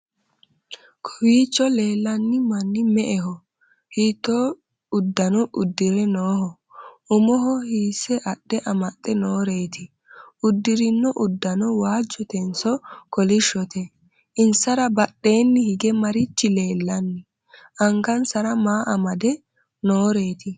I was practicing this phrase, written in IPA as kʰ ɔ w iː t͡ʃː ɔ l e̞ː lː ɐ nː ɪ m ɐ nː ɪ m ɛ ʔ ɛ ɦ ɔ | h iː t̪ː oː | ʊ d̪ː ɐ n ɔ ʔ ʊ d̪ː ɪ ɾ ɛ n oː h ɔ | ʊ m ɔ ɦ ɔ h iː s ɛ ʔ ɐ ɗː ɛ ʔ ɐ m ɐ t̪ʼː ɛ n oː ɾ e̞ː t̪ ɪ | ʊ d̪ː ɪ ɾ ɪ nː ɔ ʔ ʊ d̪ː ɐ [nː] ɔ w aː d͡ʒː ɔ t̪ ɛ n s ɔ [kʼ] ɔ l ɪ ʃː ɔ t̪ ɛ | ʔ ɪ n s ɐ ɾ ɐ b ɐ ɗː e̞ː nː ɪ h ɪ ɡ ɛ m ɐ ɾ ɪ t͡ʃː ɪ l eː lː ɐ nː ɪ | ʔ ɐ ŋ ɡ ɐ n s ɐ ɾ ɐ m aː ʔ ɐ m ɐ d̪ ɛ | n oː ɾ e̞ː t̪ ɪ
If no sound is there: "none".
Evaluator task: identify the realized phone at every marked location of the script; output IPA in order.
n, k

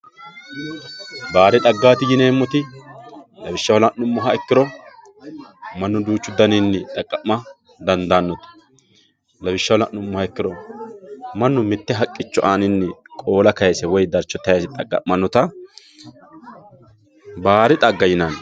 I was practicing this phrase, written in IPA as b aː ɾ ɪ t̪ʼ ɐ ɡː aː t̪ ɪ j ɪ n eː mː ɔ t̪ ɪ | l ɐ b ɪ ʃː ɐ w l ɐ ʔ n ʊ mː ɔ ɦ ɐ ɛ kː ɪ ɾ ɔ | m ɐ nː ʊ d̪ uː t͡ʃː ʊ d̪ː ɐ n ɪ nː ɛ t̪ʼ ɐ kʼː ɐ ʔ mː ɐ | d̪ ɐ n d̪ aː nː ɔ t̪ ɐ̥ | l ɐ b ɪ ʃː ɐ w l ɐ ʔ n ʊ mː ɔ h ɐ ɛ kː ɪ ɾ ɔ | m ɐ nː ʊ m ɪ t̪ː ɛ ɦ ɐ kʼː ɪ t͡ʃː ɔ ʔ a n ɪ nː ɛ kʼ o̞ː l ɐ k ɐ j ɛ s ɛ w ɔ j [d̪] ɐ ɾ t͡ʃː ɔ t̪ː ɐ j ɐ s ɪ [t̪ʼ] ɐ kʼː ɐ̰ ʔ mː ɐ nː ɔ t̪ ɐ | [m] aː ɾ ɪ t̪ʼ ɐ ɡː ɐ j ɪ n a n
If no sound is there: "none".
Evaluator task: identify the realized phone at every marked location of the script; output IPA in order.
d̪, t̪ʼ, b

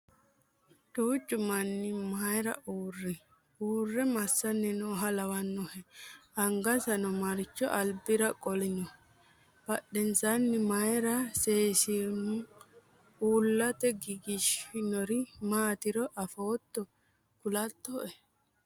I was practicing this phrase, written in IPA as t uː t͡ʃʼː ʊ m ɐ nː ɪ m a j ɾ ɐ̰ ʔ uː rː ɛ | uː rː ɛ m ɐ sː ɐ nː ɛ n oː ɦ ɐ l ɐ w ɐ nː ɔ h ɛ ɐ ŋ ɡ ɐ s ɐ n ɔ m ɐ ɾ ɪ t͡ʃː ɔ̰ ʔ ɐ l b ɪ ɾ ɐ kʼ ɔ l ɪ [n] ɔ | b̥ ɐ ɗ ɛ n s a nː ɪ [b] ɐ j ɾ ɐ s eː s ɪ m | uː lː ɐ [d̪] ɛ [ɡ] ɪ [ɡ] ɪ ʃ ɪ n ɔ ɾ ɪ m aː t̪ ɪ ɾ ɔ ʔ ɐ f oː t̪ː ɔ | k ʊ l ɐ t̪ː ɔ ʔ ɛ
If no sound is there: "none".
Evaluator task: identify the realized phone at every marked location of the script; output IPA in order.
n, m, t̪, ɡ, ɡ

